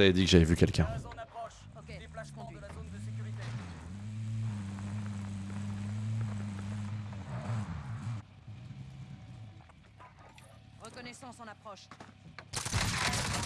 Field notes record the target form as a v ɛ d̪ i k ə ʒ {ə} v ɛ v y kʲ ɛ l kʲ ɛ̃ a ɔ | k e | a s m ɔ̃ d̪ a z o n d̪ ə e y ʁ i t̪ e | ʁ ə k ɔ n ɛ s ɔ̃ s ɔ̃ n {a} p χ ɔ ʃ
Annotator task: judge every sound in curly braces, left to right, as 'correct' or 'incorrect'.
incorrect: a, correct

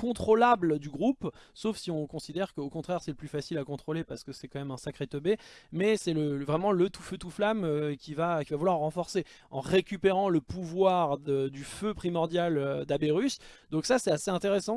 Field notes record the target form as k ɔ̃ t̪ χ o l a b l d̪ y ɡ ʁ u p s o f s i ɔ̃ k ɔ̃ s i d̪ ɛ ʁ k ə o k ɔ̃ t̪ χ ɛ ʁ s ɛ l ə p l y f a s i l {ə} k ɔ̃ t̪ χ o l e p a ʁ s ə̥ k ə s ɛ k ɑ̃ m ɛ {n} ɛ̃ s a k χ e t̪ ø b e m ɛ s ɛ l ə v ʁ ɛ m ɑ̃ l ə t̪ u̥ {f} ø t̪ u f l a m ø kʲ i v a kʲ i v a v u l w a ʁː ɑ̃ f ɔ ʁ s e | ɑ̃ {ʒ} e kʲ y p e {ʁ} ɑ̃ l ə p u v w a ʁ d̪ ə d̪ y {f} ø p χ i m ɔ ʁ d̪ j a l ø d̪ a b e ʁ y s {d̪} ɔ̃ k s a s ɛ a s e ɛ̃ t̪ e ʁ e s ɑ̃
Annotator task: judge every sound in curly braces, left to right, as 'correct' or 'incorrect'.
incorrect: a, incorrect: m, correct, incorrect: ʁ, correct, correct, correct

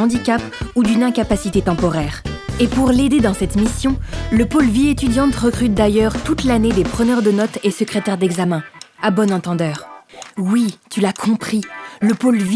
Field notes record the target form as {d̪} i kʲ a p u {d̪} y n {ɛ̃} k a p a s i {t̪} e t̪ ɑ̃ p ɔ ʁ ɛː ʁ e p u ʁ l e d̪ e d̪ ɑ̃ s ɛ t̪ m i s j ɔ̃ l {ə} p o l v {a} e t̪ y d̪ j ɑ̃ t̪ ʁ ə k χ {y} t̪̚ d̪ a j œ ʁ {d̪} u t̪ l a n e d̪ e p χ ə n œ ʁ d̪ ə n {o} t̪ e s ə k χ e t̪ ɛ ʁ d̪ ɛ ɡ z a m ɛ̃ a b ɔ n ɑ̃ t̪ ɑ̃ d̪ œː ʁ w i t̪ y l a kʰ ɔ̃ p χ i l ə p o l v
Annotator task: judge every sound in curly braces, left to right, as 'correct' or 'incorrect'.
correct, correct, correct, correct, correct, incorrect: i, correct, incorrect: t̪, incorrect: ɔ

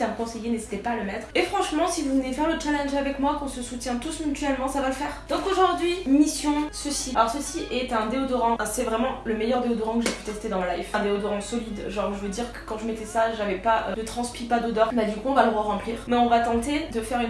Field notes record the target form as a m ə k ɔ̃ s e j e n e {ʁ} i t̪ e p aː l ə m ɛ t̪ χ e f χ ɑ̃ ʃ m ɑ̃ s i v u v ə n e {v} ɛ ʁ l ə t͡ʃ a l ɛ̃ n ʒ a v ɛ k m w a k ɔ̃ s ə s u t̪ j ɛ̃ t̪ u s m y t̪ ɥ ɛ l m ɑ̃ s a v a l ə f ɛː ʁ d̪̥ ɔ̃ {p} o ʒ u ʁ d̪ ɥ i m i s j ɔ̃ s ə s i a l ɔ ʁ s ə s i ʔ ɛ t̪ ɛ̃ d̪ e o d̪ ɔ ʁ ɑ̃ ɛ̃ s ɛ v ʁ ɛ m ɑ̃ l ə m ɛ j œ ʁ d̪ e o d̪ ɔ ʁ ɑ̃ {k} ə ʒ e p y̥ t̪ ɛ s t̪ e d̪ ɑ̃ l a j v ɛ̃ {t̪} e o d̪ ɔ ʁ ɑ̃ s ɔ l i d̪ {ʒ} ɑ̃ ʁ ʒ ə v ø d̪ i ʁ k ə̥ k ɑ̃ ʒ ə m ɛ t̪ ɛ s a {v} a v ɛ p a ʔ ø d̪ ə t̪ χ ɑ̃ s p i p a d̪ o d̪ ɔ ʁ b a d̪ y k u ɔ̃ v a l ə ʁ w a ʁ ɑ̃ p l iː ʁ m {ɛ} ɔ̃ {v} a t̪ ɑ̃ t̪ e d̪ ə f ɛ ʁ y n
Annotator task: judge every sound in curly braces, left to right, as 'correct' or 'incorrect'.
incorrect: z, incorrect: f, incorrect: k, correct, incorrect: d̪, correct, incorrect: ʒ, correct, correct

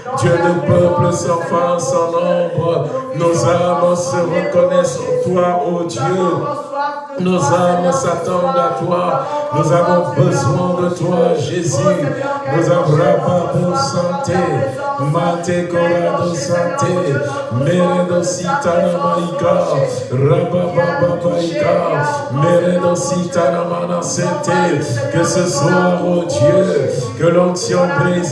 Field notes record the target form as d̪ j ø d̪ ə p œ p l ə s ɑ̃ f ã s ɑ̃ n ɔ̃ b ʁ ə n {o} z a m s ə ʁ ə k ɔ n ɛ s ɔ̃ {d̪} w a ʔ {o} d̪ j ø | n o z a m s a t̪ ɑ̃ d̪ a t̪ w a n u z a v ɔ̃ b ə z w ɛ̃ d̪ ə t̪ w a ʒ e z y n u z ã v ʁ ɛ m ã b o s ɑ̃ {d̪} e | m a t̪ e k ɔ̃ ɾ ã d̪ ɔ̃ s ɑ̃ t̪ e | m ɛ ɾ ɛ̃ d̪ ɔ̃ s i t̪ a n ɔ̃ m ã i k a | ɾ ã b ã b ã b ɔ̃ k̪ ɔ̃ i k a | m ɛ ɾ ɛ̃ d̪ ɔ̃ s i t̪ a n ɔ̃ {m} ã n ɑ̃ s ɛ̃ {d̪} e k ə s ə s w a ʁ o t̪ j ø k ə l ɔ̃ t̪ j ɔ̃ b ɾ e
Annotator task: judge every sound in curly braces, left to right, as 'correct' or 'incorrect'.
correct, incorrect: t̪, correct, incorrect: t̪, correct, incorrect: t̪

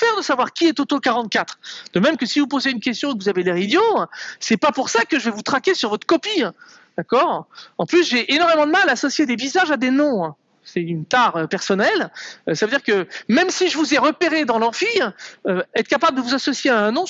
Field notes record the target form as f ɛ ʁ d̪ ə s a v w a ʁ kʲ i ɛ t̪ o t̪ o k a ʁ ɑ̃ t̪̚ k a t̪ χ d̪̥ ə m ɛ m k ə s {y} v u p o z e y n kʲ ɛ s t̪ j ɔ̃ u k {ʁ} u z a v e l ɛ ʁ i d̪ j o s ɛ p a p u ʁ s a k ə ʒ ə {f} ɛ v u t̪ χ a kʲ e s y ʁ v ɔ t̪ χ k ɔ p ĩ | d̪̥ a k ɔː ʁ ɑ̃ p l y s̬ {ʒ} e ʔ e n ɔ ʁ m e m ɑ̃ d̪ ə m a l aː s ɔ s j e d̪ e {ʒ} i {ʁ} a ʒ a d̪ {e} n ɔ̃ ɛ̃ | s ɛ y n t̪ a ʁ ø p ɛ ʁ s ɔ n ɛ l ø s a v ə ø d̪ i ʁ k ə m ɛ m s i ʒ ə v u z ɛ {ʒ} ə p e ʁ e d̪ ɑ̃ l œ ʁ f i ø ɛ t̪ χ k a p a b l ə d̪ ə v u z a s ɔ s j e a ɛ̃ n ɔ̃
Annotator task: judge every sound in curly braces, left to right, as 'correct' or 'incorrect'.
incorrect: i, incorrect: v, incorrect: v, correct, incorrect: v, incorrect: z, correct, incorrect: ʁ

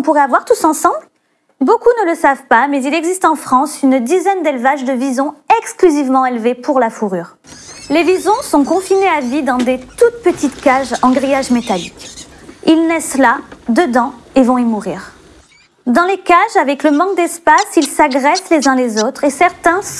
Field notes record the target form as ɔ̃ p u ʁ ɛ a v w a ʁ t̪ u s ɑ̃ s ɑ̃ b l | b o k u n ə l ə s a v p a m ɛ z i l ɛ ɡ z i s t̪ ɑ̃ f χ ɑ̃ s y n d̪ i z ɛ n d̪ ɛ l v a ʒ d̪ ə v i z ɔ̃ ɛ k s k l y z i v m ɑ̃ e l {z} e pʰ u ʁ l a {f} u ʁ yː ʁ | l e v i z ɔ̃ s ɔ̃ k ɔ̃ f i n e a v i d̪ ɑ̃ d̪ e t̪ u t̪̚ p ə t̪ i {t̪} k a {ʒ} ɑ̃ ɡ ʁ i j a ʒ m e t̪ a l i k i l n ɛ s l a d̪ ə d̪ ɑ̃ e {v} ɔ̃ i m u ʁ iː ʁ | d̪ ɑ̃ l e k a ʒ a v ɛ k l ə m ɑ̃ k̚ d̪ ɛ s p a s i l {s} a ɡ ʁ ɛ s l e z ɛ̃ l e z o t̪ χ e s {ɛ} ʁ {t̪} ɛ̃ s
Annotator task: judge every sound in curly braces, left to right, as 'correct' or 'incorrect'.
incorrect: v, correct, correct, correct, correct, correct, correct, correct

